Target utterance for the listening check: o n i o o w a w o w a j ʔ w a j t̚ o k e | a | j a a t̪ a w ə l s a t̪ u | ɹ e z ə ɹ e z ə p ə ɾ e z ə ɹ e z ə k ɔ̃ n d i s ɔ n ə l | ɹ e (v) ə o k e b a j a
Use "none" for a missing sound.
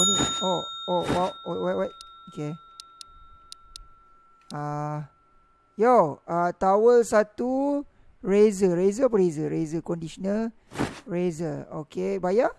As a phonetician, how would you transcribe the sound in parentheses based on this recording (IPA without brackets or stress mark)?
z